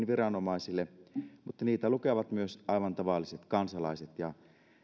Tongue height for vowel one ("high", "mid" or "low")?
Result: high